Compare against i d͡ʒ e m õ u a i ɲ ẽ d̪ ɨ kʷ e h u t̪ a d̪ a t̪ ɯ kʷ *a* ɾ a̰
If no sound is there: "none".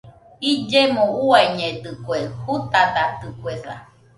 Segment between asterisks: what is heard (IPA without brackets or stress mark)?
e